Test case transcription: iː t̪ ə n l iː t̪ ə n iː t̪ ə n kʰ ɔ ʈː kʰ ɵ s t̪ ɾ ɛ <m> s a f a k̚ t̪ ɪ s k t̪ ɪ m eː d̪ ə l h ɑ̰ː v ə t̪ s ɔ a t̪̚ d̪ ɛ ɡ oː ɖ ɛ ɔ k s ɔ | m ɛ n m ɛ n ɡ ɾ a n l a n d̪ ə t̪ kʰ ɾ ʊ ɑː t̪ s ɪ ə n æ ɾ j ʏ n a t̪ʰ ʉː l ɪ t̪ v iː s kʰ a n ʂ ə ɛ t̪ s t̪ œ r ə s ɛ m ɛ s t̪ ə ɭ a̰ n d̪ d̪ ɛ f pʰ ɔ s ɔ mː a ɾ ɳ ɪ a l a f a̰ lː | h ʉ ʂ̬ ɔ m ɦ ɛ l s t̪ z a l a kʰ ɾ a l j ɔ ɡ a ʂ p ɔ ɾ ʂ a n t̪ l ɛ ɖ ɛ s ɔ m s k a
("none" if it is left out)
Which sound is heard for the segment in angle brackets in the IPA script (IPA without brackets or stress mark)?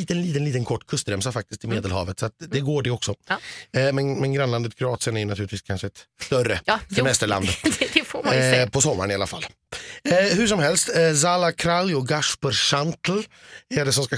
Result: m